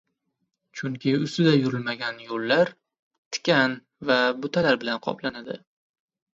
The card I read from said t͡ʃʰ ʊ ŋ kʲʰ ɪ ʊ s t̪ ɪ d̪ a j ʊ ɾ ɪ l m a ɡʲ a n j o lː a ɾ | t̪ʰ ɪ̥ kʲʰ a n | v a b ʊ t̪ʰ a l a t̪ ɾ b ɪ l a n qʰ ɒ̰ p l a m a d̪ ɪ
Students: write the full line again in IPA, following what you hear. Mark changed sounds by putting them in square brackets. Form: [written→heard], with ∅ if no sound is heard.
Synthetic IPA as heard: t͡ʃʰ ʊ ŋ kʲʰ ɪ ʊ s t̪ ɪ d̪ a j ʊ ɾ ɪ l m a ɡʲ a n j o lː a ɾ | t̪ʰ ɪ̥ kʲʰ a n | v a b ʊ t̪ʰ a l a [t̪→∅] ɾ b ɪ l a n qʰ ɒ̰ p l a [m→n] a d̪ ɪ